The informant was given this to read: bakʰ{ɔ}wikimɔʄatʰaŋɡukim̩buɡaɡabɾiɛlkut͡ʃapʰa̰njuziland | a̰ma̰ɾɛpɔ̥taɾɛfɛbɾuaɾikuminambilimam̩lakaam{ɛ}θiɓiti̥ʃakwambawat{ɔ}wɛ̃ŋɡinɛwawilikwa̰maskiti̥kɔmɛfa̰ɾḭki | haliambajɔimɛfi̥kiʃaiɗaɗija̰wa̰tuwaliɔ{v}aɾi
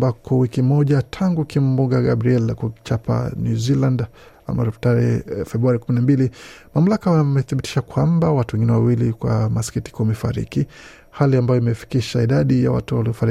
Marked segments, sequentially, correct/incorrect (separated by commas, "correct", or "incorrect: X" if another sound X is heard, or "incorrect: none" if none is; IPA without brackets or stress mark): correct, correct, incorrect: u, incorrect: f